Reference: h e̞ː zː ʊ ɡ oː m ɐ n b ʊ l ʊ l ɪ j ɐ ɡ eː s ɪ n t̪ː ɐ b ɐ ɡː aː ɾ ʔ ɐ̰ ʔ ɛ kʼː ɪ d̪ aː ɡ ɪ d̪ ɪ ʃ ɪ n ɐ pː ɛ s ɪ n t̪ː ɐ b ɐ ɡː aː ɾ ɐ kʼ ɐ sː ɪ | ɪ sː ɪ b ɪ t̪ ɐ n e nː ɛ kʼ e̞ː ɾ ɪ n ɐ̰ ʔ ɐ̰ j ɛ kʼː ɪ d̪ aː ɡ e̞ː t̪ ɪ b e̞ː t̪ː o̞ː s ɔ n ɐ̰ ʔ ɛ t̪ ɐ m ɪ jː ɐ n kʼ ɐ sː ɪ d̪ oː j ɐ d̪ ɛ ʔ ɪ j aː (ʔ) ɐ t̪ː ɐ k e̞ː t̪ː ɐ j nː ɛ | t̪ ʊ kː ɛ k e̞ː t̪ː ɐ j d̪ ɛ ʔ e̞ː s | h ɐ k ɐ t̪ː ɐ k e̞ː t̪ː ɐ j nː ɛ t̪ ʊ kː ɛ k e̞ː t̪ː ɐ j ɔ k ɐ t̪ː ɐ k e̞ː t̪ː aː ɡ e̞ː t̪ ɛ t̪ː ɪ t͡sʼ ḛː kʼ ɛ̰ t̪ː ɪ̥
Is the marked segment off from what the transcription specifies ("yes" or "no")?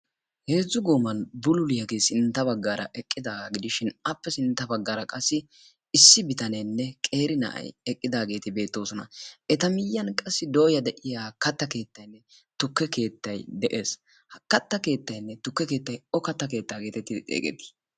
yes